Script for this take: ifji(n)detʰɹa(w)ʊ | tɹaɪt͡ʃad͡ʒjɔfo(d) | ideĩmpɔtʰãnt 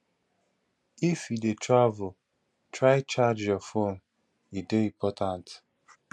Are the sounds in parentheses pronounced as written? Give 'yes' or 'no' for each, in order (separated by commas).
no, no, no